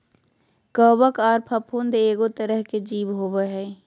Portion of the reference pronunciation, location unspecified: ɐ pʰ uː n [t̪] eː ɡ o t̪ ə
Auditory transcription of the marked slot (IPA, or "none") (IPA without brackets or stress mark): d̪